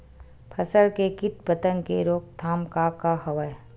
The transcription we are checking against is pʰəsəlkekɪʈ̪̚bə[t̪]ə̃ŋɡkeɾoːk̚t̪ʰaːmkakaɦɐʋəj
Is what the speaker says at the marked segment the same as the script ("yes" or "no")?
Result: yes